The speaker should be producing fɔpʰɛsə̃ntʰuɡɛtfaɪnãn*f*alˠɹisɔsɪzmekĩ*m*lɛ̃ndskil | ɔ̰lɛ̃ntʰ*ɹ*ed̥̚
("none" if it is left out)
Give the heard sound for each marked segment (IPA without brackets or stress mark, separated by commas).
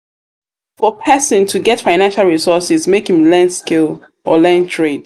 ʃ, m, ɹ